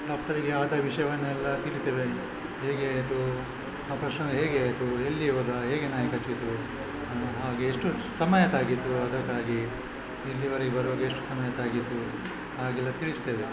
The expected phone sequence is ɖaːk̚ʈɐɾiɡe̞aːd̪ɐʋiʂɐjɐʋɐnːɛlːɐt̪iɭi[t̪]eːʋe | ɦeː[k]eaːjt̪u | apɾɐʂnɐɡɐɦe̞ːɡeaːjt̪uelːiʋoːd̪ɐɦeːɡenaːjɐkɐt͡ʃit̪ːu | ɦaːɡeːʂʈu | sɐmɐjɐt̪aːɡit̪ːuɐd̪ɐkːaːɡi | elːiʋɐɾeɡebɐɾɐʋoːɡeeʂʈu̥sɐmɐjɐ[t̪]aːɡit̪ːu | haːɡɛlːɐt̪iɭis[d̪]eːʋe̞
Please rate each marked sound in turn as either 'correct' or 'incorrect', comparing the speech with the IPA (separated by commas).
correct, incorrect, correct, incorrect